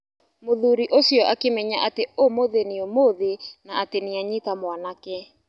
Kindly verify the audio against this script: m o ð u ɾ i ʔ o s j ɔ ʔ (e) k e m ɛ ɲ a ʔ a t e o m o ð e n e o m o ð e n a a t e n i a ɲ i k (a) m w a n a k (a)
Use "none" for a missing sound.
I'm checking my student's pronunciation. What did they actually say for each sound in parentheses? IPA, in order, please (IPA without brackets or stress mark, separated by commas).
a, a, ɛ